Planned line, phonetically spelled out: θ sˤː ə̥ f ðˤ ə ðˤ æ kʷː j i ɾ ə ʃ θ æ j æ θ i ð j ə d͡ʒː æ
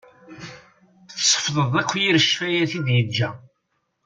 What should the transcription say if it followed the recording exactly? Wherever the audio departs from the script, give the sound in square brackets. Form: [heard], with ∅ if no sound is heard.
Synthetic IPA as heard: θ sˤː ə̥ f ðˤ ə ðˤ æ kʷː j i ɾ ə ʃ [f] æ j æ θ i ð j ə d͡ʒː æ